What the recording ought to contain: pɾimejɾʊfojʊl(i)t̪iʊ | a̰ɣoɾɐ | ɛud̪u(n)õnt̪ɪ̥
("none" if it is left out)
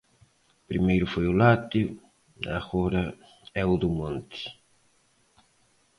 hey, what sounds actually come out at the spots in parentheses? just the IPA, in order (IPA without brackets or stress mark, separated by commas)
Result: a, m